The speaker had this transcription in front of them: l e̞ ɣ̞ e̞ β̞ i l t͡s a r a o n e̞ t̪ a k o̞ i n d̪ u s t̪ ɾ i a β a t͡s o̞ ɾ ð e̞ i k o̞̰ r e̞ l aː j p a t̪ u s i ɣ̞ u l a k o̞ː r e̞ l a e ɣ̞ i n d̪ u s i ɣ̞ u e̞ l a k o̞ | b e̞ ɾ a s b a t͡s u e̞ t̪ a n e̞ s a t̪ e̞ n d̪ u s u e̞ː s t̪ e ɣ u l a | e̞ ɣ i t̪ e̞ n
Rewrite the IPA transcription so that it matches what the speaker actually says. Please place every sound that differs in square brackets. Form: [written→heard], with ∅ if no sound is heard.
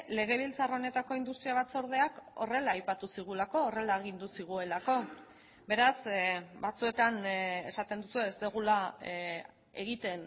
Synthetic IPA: l e̞ ɣ̞ e̞ β̞ i l t͡s a r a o n e̞ t̪ a k o̞ i n d̪ u s t̪ ɾ i a β a t͡s o̞ ɾ ð e̞ [i→a] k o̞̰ r e̞ l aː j p a t̪ u s i ɣ̞ u l a k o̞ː r e̞ l a e ɣ̞ i n d̪ u s i ɣ̞ u e̞ l a k o̞ | b e̞ ɾ a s b a t͡s u e̞ t̪ a n e̞ s a t̪ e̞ n d̪ u s u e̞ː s t̪ e ɣ u l a | e̞ ɣ i t̪ e̞ n